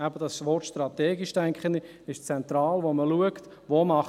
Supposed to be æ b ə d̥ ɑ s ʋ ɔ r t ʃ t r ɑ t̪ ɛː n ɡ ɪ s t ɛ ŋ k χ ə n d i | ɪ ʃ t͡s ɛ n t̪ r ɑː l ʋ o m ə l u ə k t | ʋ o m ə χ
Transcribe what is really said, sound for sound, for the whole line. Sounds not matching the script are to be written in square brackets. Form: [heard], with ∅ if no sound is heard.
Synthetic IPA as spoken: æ b ə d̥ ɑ s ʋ ɔ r t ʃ t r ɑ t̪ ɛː [∅] ɡ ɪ [ʃ] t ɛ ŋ k χ ə n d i | ɪ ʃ t͡s ɛ n t̪ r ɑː l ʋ o m ə l u ə k t | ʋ o m [ɑ] χ